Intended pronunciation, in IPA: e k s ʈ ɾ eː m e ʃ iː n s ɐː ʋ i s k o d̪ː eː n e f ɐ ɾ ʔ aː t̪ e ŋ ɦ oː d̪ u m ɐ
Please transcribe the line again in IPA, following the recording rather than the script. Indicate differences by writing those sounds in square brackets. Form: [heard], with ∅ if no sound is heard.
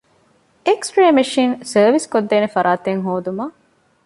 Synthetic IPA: e k s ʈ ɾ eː m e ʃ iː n s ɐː ʋ i s k o d̪ː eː n e f ɐ ɾ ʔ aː t̪ e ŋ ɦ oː d̪ u m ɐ

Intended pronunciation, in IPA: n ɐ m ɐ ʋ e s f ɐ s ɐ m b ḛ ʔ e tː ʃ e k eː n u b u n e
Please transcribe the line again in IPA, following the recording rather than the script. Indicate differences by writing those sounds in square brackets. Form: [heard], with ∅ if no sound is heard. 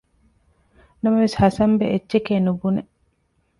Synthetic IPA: n ɐ m ɐ ʋ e s [h] ɐ s ɐ m b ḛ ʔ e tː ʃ e k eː n u b u n e

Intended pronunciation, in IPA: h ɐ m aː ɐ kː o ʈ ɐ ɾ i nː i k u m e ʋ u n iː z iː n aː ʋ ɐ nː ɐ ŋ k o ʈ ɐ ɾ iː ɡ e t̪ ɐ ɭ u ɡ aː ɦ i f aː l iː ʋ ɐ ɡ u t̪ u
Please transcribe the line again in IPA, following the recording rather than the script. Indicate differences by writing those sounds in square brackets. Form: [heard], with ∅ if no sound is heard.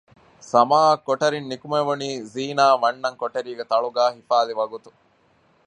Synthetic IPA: [s] ɐ m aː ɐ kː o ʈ ɐ ɾ i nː i k u m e ʋ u n iː z iː n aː ʋ ɐ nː ɐ ŋ k o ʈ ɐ ɾ iː ɡ e t̪ ɐ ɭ u ɡ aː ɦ i f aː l [i] ʋ ɐ ɡ u t̪ u

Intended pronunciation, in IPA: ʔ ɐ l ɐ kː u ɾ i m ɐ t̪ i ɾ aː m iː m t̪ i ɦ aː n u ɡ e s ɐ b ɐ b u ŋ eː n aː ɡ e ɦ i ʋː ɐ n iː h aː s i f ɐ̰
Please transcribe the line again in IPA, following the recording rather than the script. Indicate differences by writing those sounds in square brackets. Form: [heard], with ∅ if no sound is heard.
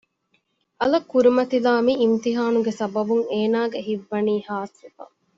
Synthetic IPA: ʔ ɐ l ɐ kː u ɾ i m ɐ t̪ i [l] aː m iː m t̪ i ɦ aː n u ɡ e s ɐ b ɐ b u ŋ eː n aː ɡ e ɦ i ʋː ɐ n iː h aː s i f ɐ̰

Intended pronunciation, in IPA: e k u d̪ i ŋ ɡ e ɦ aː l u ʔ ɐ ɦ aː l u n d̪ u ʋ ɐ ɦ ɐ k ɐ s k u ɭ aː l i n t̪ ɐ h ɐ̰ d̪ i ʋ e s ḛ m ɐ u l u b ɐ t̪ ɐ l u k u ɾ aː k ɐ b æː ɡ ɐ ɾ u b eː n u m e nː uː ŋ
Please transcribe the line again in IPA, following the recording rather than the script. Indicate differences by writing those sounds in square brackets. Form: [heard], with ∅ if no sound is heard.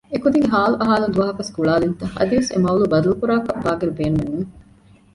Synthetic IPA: e k u d̪ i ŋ ɡ e ɦ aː l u ʔ ɐ ɦ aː l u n d̪ u ʋ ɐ ɦ ɐ k ɐ s k u ɭ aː l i n t̪ ɐ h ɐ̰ d̪ i ʋ e s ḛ m ɐ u l u b ɐ [d̪] ɐ l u k u ɾ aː k ɐ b [aː] ɡ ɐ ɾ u b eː n u m e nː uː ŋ

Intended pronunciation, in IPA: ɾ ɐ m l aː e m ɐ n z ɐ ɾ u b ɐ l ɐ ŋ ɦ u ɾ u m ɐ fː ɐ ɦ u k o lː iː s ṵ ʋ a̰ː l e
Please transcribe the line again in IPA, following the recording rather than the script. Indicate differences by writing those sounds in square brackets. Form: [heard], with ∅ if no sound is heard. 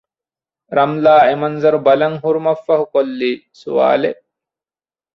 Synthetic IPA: ɾ ɐ m l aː e m ɐ n z ɐ ɾ u b ɐ l ɐ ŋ ɦ u ɾ u m ɐ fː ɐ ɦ u k o lː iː s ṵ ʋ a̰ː l e

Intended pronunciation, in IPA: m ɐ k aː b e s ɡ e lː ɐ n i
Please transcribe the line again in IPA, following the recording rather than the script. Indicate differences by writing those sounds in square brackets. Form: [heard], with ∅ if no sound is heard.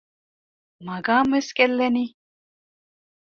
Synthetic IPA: m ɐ [ɡ] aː [m] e s [k] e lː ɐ n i

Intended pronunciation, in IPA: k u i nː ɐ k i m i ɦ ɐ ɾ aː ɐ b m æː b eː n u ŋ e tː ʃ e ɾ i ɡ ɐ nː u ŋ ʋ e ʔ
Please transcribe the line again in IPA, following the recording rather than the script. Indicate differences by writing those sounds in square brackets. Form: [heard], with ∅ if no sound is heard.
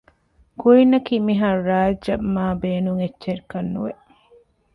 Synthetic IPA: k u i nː ɐ k i m i ɦ ɐ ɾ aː ɐ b m [aː] b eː n u ŋ e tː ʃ e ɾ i [k] ɐ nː u [∅] ʋ e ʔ

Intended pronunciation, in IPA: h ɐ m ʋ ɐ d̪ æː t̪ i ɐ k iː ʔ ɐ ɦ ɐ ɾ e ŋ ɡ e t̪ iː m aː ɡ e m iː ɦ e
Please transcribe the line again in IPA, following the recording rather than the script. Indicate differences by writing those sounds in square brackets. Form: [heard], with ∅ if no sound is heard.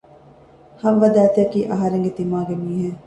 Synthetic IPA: h ɐ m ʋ ɐ d̪ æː t̪ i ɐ k iː ʔ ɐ ɦ ɐ ɾ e ŋ ɡ e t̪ [i] m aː ɡ e m iː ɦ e

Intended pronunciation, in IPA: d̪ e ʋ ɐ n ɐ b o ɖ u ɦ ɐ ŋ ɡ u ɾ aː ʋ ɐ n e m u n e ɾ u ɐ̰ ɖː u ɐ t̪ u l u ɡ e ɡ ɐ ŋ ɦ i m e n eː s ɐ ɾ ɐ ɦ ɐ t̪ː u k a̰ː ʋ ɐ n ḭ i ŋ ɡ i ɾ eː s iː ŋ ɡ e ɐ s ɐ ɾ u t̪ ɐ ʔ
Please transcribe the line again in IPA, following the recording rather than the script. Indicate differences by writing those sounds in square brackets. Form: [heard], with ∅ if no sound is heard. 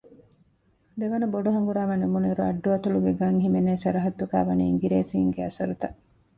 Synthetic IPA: d̪ e ʋ ɐ n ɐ b o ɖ u ɦ ɐ ŋ ɡ u ɾ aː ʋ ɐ n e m u n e ɾ u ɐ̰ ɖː u ɐ t̪ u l u ɡ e ɡ ɐ ŋ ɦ i m e n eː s ɐ ɾ ɐ ɦ ɐ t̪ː u k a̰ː ʋ ɐ n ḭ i ŋ ɡ i ɾ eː s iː ŋ ɡ e ɐ s ɐ ɾ u t̪ ɐ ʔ

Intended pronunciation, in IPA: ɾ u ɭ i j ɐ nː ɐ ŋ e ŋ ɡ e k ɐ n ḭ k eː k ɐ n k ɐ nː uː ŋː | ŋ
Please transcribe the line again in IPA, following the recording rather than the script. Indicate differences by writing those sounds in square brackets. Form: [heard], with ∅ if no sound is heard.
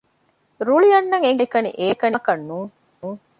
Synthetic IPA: ɾ u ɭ i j ɐ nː ɐ ŋ e ŋ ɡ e k ɐ n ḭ [ʔ] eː k ɐ n k ɐ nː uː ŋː | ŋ

